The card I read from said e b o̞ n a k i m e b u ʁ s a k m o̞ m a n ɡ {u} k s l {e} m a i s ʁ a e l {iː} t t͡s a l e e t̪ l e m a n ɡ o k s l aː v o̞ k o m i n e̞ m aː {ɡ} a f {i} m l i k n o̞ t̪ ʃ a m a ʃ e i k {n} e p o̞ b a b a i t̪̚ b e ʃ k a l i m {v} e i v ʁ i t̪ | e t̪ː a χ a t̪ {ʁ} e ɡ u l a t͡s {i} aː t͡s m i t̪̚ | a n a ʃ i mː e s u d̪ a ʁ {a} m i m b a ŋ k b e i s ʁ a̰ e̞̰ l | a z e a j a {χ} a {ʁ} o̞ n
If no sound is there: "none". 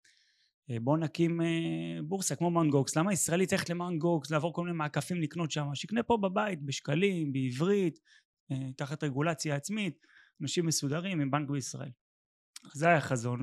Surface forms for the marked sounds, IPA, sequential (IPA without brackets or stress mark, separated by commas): o, a, i, k, i, n, b, ʁ, j, i, χ, z